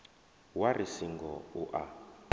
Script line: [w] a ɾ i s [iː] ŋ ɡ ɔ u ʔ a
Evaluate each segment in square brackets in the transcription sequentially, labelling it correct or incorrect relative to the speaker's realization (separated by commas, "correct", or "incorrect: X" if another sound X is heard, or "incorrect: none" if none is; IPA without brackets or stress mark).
correct, incorrect: i